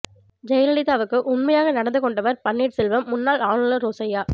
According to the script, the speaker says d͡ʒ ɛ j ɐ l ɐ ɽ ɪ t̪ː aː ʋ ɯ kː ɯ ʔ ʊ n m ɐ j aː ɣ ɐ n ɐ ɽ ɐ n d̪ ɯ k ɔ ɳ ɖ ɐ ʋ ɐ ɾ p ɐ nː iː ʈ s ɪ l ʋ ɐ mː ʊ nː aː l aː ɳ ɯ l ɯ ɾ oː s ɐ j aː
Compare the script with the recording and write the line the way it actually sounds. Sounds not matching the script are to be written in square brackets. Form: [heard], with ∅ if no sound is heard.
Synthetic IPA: d͡ʒ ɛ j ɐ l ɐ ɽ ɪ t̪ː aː ʋ ɯ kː ɯ ʔ ʊ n m ɐ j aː ɣ ɐ n ɐ ɽ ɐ n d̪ ɯ k ɔ ɳ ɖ ɐ ʋ ɐ ɾ p ɐ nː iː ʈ s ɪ l ʋ ɐ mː ʊ nː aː l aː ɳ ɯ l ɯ ɾ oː s ɐ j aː